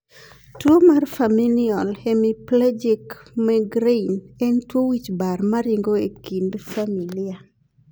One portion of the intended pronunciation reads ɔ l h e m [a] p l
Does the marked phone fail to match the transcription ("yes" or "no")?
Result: yes